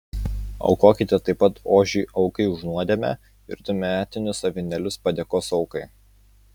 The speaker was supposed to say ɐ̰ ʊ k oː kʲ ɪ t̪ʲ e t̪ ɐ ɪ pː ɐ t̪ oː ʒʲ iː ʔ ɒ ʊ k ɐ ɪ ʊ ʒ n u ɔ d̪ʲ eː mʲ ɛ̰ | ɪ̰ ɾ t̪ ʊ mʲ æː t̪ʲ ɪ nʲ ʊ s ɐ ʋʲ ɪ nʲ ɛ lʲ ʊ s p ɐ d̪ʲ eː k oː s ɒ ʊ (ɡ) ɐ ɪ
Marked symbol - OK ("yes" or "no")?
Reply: no